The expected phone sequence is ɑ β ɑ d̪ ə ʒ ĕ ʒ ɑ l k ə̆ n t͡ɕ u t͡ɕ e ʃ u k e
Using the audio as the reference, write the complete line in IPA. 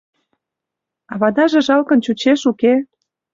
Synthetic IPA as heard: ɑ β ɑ d̪ ɑ ʒ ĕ ʒ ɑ l k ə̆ n t͡ɕ u t͡ɕ e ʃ u k e